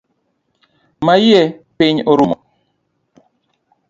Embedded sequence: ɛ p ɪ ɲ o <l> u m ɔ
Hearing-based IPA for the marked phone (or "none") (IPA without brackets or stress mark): ɾ